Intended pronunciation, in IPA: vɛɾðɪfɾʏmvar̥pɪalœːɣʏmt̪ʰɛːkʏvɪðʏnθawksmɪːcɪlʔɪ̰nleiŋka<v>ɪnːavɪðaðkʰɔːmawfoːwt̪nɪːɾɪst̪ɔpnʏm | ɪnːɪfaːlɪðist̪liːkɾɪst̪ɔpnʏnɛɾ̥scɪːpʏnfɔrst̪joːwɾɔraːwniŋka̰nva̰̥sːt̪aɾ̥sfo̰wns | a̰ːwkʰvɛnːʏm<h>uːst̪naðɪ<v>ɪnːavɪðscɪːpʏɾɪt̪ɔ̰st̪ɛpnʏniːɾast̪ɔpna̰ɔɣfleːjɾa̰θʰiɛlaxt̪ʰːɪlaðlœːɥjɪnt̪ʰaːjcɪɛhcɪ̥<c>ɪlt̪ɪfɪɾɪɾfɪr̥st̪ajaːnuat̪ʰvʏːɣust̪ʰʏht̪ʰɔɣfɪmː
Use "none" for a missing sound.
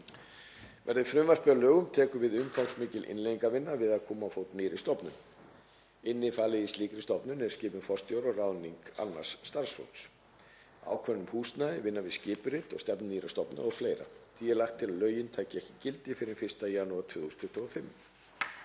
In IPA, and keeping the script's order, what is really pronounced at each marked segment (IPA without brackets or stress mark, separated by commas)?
v, h, v, c